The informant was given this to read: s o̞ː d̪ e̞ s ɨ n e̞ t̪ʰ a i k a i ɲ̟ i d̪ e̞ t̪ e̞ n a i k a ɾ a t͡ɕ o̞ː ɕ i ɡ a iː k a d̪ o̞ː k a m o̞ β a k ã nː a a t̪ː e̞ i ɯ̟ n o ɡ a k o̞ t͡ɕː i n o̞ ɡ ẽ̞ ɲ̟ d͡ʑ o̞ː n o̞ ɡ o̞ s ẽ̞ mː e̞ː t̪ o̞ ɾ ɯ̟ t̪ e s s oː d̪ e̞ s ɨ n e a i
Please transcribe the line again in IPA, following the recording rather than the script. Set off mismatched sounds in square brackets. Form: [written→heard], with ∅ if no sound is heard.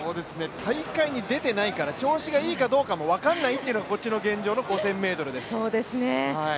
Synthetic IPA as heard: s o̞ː d̪ e̞ s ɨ n e̞ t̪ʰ a i k a i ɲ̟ i d̪ e̞ t̪ e̞ n a i k a ɾ a t͡ɕ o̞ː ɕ i ɡ a iː k a d̪ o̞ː k a m o̞ β a k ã nː a [a→i] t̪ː e̞ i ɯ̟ n o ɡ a k o̞ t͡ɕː i n o̞ ɡ ẽ̞ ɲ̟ d͡ʑ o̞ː n o̞ ɡ o̞ s ẽ̞ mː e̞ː t̪ o̞ ɾ ɯ̟ [t̪→d̪] e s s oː d̪ e̞ s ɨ n e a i